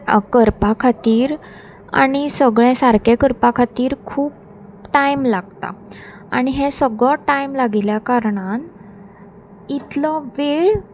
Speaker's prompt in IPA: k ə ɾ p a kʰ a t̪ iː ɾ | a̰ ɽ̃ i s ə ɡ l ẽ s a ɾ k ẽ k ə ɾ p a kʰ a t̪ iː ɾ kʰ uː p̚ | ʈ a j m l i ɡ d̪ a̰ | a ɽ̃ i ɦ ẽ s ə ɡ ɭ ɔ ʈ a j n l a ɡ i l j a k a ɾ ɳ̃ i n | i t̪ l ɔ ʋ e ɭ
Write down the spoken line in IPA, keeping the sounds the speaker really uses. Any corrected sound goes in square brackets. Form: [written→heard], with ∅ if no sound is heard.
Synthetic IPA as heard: k ə ɾ p a kʰ a t̪ iː ɾ | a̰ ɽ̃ i s ə ɡ [l→ɭ] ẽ s a ɾ k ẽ k ə ɾ p a kʰ a t̪ iː ɾ kʰ uː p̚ | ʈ a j m l [i→a] ɡ [d̪→t̪] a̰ | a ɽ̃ i ɦ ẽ s ə ɡ ɭ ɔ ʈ a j [n→m] l a ɡ i l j a k a ɾ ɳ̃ [i→a] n | i t̪ l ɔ ʋ e ɭ